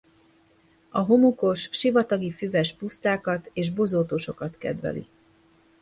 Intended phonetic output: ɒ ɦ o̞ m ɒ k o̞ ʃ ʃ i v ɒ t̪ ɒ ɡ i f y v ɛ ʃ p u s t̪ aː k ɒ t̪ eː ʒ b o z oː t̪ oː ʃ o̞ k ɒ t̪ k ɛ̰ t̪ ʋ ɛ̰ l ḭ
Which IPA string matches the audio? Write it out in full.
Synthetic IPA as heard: ɒ ɦ o̞ m u k o̞ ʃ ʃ i v ɒ t̪ ɒ ɡ i f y v ɛ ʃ p u s t̪ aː k ɒ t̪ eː ʒ b o z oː t̪ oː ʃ o̞ k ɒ t̪ k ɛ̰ d̪ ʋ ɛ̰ l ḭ

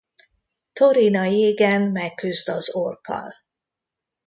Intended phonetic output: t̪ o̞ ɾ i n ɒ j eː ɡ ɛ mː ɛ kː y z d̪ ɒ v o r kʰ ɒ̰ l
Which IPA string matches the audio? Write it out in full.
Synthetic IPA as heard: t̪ o̞ ɾ i n ɒ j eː ɡ ɛ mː ɛ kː y z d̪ ɒ z o r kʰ ɒ̰ l

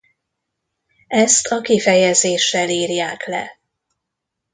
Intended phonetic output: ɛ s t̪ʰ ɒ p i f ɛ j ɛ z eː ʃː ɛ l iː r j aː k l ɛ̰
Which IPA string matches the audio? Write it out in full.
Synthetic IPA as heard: ɛ s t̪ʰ ɒ k i f ɛ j ɛ z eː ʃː ɛ l iː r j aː k l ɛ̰

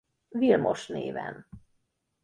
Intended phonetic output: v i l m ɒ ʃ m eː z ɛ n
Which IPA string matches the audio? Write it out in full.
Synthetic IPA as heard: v i l m o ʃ n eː v ɛ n

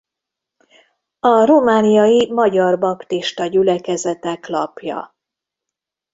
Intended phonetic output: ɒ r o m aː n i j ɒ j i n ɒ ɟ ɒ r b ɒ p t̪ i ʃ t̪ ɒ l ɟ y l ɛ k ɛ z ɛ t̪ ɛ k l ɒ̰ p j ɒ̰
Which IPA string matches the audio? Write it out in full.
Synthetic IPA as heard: ɒ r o m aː n i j ɒ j i m ɒ ɟ ɒ r b ɒ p t̪ i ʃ t̪ ɒ ɟ y l ɛ k ɛ z ɛ t̪ ɛ k l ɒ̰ p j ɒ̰

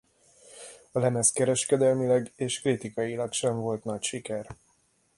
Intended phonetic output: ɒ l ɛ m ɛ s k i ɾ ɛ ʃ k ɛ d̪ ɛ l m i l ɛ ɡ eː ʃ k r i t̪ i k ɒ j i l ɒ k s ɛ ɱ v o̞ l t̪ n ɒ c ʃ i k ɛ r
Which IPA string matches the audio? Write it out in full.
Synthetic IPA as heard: ɒ l ɛ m ɛ s k ɛ ɾ ɛ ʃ k ɛ d̪ ɛ l m i l ɛ ɡ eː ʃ k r i t̪ i k ɒ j i l ɒ k ʃ ɛ ɱ v o̞ l t̪ n ɒ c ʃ i k ɛ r

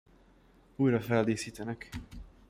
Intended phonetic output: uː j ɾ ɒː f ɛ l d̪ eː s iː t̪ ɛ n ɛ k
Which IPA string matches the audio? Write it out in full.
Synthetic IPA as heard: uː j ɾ ɒ f ɛ l d̪ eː s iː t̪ ɛ n ɛ k

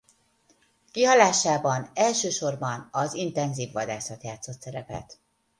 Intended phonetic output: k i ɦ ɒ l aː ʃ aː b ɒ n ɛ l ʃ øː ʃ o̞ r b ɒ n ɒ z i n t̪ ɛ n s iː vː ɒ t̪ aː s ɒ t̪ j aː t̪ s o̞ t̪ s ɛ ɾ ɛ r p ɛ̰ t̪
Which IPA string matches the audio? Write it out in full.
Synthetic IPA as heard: k i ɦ ɒ l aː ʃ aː b ɒ n ɛ l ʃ øː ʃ o̞ r b ɒ n ɒ z i n t̪ ɛ n z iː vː ɒ d̪ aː s ɒ t̪ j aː t̪ s o̞ t̪ s ɛ ɾ ɛ p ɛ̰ t̪

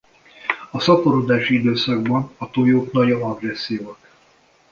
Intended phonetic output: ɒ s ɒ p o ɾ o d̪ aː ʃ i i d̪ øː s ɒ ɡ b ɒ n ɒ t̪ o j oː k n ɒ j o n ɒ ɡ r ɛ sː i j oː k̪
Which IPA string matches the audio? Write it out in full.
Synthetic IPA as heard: ɒ s ɒ p o ɾ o d̪ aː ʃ i i d̪ øː s ɒ ɡ b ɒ n ɒ t̪ o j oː k n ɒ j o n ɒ ɡ r ɛ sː i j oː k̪

